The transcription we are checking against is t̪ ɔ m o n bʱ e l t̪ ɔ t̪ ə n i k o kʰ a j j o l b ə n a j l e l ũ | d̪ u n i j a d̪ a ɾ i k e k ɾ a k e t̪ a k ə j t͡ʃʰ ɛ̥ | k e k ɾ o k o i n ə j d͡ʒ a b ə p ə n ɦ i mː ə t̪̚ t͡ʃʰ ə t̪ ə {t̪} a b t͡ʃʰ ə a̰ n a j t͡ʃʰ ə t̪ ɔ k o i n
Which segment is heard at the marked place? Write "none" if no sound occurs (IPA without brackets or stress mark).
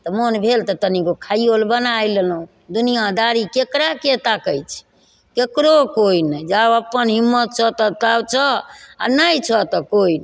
t̪